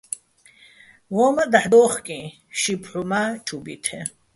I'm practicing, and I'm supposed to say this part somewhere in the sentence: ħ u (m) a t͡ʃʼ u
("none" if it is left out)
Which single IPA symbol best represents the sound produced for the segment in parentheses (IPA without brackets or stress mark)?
m